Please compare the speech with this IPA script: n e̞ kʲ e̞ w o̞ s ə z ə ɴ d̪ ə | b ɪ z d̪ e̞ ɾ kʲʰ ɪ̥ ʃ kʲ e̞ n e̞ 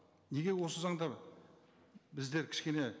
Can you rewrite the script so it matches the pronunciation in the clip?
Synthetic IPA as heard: n e̞ ɡʲ e̞ w o̞ s ə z ɑ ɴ d̪ ɑ | b ɪ z d̪ e̞ ɾ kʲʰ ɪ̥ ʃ kʲ e̞ n e̞